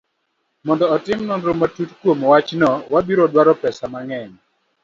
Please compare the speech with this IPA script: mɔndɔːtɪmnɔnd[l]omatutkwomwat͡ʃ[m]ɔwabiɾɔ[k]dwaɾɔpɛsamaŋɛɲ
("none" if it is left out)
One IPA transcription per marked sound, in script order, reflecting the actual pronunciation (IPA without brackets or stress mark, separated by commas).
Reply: ɾ, n, none